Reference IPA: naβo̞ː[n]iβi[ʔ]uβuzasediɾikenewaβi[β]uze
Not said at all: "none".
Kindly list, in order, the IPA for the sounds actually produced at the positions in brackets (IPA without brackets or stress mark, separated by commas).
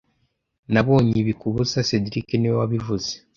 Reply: ɲ, k, v